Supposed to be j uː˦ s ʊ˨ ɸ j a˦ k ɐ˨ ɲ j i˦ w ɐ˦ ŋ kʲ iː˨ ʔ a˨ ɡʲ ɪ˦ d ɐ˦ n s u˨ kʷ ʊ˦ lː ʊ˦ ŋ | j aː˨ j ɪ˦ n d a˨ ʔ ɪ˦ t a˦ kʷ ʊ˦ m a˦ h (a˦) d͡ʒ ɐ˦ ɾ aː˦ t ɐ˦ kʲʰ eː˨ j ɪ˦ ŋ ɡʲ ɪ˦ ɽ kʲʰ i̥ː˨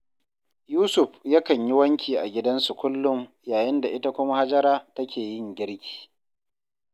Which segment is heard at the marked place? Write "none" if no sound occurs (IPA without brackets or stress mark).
a˦